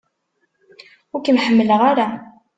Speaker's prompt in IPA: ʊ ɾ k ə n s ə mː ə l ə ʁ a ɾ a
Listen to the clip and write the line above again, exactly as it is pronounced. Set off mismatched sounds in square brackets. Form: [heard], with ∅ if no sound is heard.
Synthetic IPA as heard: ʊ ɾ k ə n [ħ] ə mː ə l ə ʁ a ɾ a